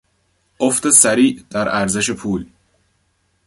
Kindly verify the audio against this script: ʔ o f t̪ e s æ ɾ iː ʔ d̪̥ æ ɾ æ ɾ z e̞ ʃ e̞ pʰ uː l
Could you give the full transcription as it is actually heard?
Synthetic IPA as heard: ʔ o f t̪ e s æ ɾ iː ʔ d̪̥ æ ɾ æ ɾ z e̞ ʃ e̞ pʰ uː l